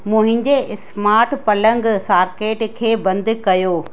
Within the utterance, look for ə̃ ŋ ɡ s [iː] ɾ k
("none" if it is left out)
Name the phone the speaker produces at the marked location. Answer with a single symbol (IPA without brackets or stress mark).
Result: aː